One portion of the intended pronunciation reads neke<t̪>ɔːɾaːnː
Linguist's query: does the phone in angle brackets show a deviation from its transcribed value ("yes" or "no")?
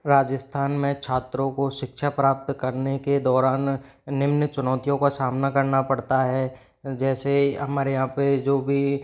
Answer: yes